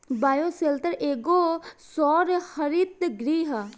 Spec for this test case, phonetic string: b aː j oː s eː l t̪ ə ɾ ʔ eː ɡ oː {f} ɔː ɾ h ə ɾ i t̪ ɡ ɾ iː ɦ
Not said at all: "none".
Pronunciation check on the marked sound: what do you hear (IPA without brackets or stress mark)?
s